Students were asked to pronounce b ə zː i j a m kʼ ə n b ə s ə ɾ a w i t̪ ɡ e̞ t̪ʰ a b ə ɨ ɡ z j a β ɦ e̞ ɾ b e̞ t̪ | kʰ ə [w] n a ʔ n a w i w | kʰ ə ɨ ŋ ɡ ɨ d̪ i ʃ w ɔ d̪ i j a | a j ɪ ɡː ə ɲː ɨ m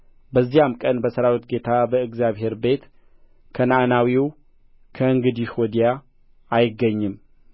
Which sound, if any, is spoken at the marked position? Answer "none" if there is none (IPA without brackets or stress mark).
none